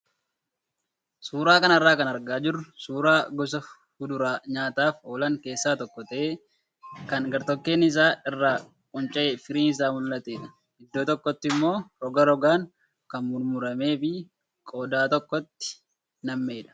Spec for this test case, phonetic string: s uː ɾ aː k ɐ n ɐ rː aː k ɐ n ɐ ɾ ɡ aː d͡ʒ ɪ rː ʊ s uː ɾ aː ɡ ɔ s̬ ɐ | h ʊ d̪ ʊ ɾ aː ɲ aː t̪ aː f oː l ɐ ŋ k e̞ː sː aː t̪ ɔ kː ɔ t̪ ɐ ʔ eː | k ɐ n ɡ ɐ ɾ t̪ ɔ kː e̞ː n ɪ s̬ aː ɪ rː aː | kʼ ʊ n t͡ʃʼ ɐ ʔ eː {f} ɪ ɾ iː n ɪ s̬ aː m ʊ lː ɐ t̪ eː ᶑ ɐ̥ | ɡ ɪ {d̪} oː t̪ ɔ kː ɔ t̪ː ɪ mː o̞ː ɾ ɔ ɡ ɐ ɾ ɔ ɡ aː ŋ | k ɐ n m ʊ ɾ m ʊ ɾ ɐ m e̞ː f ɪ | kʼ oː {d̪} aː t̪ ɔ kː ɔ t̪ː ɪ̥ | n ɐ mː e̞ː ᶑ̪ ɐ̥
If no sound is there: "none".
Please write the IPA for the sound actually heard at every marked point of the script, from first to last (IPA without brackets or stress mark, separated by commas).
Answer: f, d̪ː, d̪